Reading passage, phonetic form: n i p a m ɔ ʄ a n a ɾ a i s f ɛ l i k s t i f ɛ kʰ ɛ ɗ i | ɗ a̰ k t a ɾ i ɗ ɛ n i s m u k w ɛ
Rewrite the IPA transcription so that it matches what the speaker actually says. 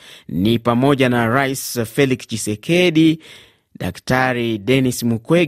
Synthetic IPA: n i p a m ɔ ʄ a n a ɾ a i s f ɛ l i k s t͡ʃ i s ɛ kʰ ɛ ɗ i | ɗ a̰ k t a ɾ i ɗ ɛ n i s m u k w ɛ